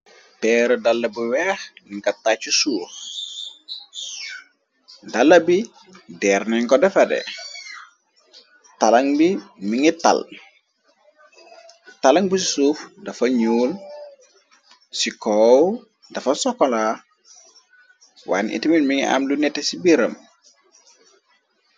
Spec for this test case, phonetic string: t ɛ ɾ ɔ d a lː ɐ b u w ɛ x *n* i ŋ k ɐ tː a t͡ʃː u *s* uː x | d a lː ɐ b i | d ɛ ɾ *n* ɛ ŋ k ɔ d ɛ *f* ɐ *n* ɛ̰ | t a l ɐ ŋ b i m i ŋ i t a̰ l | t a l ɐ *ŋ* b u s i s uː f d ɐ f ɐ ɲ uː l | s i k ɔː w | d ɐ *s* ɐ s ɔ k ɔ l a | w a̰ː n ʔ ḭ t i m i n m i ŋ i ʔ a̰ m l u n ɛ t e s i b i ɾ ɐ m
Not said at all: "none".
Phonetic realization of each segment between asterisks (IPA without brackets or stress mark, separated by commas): n, s, n, f, d, ŋ, f